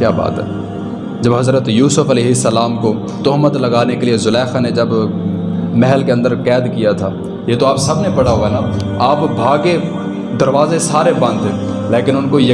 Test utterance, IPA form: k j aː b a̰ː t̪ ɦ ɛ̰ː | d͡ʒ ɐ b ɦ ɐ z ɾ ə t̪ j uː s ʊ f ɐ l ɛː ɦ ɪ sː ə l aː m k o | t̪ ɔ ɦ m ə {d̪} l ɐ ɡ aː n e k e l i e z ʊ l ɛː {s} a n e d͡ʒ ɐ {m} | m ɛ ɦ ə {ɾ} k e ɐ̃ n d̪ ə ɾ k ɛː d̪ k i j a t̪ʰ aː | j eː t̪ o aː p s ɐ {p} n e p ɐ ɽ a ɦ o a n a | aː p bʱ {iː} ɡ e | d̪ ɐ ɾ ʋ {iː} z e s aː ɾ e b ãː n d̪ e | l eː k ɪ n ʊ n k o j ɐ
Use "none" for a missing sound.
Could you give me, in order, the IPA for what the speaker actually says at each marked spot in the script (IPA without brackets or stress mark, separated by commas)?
t̪, x, b, l, b, aː, aː